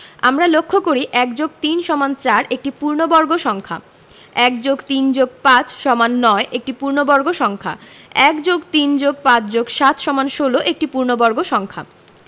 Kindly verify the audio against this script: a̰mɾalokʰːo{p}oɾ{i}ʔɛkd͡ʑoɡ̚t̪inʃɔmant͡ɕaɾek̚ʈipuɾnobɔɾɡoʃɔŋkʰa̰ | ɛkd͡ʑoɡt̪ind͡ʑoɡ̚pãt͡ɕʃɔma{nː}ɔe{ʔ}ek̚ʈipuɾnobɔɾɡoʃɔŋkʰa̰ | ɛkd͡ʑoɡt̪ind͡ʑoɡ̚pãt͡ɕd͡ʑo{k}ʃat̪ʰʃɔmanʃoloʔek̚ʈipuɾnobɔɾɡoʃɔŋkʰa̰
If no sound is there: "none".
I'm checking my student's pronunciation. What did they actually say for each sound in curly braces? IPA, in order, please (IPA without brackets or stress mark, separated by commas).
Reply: k, i, nː, ʔ, ɡ